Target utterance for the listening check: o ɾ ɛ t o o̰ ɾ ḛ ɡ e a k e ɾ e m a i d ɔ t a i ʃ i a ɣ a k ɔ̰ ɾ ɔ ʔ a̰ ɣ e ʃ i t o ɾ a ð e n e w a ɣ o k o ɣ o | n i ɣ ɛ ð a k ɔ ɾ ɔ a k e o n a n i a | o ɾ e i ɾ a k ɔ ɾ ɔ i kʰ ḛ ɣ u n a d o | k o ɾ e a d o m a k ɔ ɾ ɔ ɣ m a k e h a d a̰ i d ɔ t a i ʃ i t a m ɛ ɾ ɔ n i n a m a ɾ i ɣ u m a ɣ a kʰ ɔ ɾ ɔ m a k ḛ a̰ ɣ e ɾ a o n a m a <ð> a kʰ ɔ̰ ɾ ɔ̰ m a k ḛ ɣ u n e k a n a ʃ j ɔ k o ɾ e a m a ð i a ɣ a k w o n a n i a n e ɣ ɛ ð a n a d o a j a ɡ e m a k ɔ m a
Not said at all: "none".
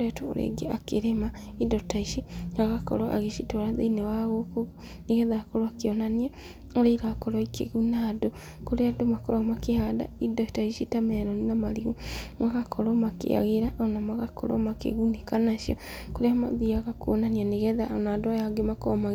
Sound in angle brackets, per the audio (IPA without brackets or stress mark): ɣ